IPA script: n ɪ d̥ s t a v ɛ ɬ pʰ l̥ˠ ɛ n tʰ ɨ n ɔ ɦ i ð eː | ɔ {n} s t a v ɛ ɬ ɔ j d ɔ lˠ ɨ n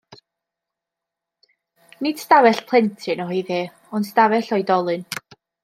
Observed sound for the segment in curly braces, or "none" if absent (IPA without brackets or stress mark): n